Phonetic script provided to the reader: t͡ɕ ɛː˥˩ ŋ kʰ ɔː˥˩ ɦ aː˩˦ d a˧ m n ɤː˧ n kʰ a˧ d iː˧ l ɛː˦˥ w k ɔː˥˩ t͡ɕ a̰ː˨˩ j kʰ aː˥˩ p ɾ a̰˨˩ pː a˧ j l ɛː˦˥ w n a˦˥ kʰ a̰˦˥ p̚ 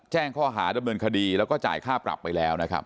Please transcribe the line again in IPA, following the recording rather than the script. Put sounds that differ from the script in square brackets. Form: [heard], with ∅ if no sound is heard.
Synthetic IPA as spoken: t͡ɕ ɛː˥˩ ŋ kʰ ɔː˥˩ ɦ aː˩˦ d a˧ m n ɤː˧ n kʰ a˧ d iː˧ l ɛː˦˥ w k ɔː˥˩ t͡ɕ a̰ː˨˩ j kʰ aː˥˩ p ɾ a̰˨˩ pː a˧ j l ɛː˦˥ w n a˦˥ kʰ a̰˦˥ p̚